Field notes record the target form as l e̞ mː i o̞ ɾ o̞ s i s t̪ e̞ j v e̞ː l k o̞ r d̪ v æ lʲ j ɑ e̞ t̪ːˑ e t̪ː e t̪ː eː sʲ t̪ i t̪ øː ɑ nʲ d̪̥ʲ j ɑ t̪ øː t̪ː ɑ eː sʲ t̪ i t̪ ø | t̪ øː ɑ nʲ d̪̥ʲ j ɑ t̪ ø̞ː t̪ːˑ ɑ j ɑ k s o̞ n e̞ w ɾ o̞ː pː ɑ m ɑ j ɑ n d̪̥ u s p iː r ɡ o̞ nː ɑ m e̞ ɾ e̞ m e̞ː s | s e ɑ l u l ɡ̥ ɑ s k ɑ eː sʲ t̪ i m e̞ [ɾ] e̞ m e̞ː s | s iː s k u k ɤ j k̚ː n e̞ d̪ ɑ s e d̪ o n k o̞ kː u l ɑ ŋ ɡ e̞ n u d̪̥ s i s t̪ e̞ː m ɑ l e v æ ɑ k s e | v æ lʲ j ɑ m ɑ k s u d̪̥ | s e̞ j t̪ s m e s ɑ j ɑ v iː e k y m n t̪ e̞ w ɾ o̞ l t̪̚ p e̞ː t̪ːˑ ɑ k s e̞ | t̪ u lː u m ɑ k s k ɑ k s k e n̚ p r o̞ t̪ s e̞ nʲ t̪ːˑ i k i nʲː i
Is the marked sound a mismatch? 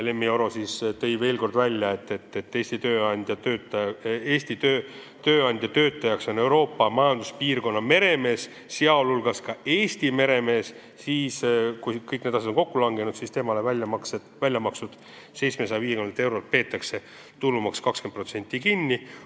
no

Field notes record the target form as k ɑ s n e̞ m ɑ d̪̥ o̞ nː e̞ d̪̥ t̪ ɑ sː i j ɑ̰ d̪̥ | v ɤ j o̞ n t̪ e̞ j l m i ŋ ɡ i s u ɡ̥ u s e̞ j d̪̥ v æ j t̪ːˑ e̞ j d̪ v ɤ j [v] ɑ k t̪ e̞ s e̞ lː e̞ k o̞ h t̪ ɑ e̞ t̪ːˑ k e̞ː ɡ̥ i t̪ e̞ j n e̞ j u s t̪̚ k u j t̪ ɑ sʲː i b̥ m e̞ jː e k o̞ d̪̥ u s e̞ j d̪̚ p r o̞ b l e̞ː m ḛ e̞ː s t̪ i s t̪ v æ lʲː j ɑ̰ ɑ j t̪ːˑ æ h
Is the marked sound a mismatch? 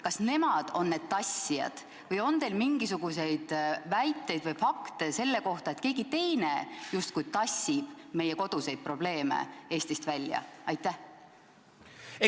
yes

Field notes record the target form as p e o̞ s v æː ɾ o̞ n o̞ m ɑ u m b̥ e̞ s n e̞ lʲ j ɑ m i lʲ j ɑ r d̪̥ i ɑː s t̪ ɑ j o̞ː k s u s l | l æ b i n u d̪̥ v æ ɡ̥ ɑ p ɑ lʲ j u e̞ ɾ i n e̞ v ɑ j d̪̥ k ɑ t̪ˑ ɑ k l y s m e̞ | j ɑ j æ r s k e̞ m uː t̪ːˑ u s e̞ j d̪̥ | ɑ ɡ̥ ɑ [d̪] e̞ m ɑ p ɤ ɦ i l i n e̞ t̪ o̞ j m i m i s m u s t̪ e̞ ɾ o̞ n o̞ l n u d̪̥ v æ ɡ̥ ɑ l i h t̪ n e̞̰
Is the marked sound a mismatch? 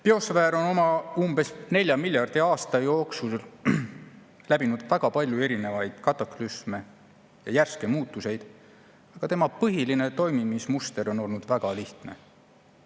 yes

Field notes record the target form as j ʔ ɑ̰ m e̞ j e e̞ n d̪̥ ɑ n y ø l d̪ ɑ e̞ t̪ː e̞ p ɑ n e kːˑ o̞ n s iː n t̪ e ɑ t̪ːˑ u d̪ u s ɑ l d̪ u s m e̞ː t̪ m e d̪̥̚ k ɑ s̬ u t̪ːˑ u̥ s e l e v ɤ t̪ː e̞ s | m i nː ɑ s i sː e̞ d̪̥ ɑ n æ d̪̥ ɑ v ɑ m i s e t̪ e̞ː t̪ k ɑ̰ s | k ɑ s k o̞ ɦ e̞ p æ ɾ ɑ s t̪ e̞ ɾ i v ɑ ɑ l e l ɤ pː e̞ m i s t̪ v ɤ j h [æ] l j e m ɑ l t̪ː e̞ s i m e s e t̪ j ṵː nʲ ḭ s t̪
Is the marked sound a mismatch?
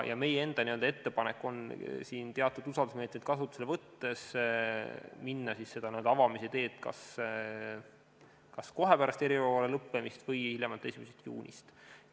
yes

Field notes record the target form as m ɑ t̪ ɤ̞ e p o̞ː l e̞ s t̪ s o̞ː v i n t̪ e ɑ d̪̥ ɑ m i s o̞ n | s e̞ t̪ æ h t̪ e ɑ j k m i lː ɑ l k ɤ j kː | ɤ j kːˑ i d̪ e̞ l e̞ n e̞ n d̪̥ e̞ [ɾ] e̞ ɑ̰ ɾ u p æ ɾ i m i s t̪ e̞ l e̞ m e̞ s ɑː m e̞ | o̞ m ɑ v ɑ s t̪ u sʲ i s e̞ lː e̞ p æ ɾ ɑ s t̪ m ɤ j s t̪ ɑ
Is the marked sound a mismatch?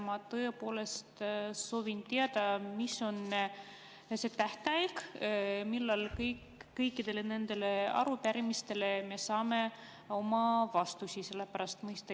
yes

